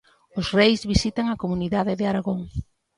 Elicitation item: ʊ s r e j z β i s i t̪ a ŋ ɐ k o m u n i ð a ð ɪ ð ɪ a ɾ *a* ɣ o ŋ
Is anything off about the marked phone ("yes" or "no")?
no